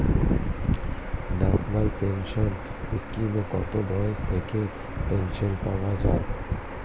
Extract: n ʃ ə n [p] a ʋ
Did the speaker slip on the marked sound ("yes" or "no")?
no